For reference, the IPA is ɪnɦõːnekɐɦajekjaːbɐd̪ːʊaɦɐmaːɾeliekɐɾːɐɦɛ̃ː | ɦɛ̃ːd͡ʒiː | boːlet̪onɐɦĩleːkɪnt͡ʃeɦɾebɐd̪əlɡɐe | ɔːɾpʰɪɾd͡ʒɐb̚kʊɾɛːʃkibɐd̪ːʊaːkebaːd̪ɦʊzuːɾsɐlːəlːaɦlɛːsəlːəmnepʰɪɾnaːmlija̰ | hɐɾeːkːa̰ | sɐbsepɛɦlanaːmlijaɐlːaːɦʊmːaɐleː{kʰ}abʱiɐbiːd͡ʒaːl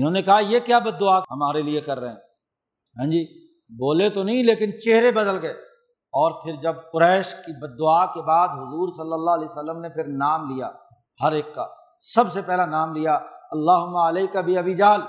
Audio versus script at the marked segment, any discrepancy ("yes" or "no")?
yes